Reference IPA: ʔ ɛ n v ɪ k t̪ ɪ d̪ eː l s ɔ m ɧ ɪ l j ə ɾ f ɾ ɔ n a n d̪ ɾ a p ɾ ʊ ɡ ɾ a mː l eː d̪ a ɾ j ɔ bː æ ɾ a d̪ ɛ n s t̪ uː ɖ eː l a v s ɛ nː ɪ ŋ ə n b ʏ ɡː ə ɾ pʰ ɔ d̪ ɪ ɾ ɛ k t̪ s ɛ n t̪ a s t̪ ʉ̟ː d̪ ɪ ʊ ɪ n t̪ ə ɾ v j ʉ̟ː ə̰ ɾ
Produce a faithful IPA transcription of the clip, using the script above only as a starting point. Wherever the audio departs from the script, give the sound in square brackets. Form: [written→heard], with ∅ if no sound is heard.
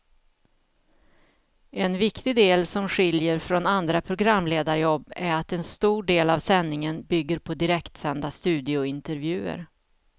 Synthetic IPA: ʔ ɛ n v ɪ k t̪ ɪ d̪ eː l s ɔ m ɧ ɪ l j ə ɾ f ɾ ɔ n a n d̪ ɾ a [p→pʰ] ɾ ʊ ɡ ɾ a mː l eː d̪ a ɾ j ɔ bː æ ɾ a [d̪→t̪] ɛ n s t̪ uː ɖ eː l a v s ɛ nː ɪ ŋ ə n b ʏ ɡː ə ɾ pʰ ɔ d̪ ɪ ɾ ɛ k t̪ s ɛ n [t̪→d̪] a s t̪ ʉ̟ː d̪ ɪ ʊ ɪ n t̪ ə ɾ v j ʉ̟ː ə̰ ɾ